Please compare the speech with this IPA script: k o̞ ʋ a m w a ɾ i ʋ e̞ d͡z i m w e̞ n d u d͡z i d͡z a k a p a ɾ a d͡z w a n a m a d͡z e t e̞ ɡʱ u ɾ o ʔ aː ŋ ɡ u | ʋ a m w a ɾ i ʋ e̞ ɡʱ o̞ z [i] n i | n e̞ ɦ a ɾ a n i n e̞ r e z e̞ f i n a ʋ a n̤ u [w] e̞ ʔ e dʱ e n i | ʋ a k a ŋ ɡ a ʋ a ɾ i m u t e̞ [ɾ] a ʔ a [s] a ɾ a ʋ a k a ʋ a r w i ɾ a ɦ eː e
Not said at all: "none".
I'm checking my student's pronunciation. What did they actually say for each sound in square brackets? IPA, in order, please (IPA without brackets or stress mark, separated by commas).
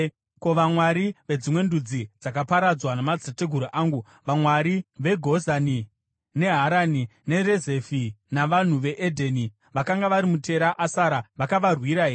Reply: a, ʋ, ɾ, s